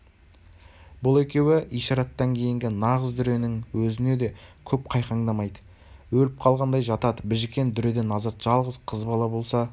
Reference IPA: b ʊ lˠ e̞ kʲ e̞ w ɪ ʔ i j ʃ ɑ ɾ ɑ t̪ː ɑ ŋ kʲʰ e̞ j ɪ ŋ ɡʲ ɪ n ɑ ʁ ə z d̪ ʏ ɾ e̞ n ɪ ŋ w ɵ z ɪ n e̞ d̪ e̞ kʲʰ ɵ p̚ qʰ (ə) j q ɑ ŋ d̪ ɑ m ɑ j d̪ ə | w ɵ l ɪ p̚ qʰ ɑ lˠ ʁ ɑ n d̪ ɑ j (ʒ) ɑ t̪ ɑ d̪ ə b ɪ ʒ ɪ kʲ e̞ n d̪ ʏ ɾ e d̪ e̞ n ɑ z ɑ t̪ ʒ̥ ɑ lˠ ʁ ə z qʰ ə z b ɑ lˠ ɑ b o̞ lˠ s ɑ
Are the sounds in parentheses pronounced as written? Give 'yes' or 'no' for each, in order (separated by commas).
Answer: no, yes